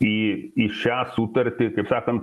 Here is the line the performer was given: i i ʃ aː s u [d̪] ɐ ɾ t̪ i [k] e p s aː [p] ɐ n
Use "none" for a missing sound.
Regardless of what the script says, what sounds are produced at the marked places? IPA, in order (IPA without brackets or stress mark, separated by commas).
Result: t̪, k, k